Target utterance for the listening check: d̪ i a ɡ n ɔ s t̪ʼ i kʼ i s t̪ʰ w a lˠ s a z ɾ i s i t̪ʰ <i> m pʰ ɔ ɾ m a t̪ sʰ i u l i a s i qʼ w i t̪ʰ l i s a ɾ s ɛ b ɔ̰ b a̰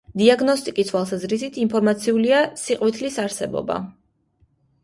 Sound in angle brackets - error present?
no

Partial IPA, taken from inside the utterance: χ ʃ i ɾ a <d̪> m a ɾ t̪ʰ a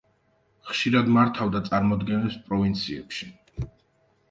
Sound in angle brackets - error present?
no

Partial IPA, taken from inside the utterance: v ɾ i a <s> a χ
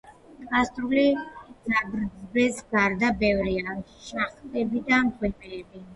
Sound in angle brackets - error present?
yes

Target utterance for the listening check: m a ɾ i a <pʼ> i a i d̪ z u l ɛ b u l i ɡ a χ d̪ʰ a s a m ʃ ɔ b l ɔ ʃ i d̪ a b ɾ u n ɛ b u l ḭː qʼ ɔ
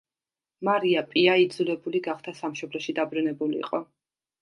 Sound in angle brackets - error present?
no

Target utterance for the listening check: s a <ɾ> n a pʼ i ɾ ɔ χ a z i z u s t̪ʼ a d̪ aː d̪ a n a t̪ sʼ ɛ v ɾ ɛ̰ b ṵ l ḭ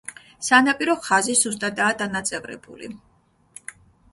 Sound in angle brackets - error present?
yes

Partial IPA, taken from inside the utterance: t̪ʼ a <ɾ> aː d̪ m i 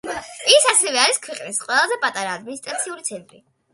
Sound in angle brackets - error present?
no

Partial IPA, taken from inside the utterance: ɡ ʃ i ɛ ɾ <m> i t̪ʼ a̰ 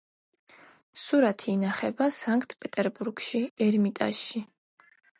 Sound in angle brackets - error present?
no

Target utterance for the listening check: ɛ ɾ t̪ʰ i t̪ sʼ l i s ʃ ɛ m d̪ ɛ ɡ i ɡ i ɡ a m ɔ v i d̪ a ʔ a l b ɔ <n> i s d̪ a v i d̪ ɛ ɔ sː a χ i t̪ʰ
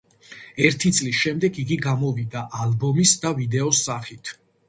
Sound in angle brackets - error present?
yes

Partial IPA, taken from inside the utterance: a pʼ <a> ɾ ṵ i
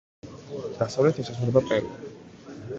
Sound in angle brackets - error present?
yes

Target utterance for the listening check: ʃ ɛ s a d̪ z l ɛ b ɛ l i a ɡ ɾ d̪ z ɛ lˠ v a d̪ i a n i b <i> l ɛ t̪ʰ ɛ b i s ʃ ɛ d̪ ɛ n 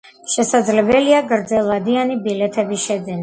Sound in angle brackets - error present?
no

